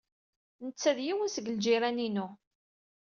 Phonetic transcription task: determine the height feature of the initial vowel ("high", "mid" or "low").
mid